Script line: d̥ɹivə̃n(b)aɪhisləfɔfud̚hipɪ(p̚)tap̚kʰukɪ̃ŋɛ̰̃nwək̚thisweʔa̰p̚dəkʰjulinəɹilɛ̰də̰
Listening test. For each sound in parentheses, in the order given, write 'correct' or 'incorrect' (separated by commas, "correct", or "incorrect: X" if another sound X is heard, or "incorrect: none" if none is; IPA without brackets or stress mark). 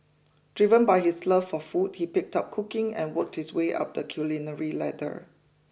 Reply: correct, incorrect: k̚